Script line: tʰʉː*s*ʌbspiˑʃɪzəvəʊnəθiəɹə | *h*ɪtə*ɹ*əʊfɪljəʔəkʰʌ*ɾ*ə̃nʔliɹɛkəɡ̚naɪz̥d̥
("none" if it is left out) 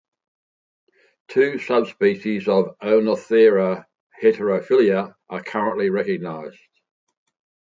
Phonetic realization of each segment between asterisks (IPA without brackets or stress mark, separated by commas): s, h, ɹ, ɹ